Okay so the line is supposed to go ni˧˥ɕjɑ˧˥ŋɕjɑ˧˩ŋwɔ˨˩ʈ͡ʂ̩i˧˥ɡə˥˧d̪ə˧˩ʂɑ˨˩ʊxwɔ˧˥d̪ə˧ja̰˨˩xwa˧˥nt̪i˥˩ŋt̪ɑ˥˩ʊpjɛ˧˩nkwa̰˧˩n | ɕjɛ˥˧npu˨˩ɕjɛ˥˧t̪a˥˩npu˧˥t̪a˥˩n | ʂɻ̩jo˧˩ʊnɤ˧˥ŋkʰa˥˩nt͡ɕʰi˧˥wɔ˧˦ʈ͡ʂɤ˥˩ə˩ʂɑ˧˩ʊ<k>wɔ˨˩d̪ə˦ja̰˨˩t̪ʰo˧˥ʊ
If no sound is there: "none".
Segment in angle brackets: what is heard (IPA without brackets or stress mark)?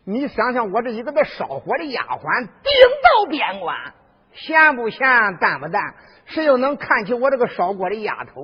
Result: k